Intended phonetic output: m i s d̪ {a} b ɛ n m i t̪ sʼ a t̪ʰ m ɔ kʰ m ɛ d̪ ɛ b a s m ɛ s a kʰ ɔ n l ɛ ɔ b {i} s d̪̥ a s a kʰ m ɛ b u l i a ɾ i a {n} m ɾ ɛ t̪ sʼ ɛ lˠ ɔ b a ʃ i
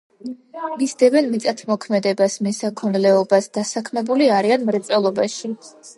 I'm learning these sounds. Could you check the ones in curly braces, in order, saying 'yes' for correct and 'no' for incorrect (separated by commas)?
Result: no, no, yes